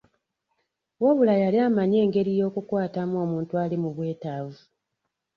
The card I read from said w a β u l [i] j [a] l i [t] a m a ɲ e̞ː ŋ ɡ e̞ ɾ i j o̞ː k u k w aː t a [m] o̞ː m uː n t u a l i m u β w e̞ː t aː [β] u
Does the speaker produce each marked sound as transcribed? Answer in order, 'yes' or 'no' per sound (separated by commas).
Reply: no, yes, no, yes, no